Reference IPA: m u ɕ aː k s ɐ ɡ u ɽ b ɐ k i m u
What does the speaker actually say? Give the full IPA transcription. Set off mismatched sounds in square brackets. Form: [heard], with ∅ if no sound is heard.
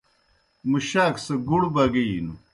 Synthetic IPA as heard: m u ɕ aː k s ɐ ɡ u ɽ b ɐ [ɡ] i [n] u